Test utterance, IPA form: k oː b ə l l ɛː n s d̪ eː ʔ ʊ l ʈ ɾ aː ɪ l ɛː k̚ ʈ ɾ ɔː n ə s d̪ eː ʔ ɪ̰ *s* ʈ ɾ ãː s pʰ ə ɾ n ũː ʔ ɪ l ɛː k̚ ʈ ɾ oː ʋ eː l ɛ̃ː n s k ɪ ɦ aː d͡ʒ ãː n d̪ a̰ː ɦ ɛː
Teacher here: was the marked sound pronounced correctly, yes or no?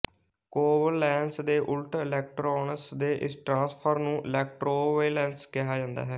yes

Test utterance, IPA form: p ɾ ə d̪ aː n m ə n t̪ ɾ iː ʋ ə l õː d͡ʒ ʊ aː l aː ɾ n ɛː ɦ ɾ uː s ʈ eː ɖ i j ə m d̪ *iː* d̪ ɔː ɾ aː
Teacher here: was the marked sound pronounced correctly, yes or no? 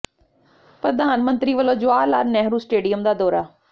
no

